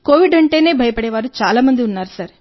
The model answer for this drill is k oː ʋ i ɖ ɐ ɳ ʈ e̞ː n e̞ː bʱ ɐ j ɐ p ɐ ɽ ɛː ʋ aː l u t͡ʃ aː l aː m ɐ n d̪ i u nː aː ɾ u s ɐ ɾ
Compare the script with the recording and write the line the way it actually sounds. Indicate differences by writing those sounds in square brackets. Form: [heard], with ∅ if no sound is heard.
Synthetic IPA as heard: k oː ʋ i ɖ ɐ ɳ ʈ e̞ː n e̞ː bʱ ɐ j ɐ p ɐ ɽ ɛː ʋ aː [ɾ] u t͡ʃ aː l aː m ɐ n d̪ i u nː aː ɾ u s ɐ ɾ